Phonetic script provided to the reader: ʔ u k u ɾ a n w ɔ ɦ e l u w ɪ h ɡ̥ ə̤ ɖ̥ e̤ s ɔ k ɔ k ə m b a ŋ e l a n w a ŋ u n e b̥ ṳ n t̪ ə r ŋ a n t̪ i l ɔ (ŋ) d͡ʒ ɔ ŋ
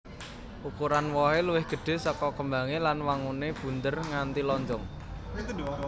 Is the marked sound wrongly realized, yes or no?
yes